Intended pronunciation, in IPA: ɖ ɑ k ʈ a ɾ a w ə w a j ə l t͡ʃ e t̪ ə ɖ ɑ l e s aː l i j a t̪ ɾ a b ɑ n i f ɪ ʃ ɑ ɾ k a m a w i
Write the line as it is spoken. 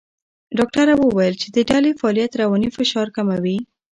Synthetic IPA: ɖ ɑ k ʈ a ɾ a w ə w a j ə l t͡ʃ e d̪ ə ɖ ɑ l e f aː l i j a t̪ ɾ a w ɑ n i f ɪ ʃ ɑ ɾ k a m a w i